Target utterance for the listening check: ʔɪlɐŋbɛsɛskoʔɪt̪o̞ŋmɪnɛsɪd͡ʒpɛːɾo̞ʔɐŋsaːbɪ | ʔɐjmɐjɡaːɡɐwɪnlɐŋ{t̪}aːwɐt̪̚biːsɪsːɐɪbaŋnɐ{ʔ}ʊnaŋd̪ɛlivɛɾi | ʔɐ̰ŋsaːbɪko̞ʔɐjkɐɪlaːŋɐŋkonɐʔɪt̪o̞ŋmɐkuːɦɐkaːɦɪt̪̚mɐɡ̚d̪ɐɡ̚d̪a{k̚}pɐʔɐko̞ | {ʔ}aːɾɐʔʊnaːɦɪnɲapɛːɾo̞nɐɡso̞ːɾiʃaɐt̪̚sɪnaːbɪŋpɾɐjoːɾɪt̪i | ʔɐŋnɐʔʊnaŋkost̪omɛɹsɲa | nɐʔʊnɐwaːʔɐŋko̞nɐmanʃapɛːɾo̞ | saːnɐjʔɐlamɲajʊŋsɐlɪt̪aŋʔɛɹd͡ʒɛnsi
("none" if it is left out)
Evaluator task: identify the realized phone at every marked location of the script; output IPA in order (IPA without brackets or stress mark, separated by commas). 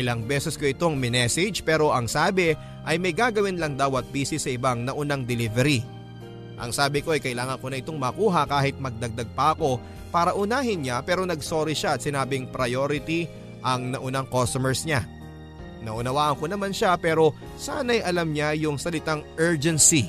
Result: d̪, ʔ, ɡ̚, p